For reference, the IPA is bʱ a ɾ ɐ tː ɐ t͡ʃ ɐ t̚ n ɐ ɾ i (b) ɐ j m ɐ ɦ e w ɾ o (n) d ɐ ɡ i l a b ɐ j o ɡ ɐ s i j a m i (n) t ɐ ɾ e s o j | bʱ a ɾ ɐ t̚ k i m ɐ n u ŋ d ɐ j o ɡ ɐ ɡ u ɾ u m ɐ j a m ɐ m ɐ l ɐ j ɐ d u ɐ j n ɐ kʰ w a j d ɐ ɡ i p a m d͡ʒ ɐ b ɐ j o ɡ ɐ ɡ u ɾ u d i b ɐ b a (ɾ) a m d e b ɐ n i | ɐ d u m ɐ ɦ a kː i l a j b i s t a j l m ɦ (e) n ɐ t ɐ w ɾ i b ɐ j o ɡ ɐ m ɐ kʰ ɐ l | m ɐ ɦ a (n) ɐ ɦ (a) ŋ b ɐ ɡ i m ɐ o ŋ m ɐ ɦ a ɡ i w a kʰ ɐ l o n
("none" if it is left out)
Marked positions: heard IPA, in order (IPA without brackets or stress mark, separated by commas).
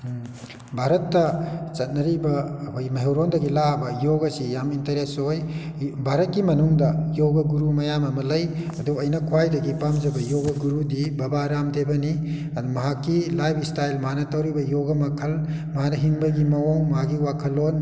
b, n, n, ɾ, a, n, i